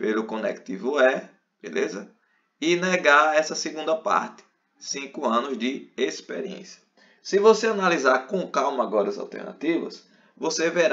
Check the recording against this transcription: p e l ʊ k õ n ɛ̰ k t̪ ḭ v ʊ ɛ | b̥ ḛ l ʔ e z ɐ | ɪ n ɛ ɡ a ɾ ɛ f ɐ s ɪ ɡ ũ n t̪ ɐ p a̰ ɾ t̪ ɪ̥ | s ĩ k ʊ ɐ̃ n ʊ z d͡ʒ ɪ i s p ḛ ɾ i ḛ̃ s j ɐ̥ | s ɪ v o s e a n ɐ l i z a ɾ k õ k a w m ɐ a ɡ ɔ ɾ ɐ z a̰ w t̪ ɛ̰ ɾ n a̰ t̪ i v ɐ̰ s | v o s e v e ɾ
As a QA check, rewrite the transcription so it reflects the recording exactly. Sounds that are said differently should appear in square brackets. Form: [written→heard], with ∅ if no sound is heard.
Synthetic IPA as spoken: p e l ʊ k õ n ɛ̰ k t̪ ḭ v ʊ ɛ | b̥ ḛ l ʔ e z ɐ | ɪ n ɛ ɡ a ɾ ɛ [f→s] ɐ s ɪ ɡ ũ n [t̪→d̪] ɐ p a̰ ɾ t̪ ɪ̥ | s ĩ k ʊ ɐ̃ n ʊ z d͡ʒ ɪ [i→e] s p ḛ ɾ i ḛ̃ s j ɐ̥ | s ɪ v o s e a n [ɐ→a] l i z a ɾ k õ k a w m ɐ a ɡ ɔ ɾ ɐ z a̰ w t̪ ɛ̰ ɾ n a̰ t̪ i v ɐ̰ s | v o s e v e ɾ